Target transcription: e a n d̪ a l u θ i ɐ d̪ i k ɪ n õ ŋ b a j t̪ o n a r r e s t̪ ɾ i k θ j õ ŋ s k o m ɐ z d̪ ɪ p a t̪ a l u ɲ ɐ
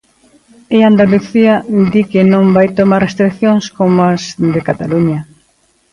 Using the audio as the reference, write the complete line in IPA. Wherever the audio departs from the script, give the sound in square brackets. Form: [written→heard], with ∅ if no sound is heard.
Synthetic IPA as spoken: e a n d̪ a l u θ i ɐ d̪ i k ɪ n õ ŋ b a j t̪ o [n→m] a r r e s t̪ ɾ i k θ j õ ŋ s k o m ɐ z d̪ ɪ [p→k] a t̪ a l u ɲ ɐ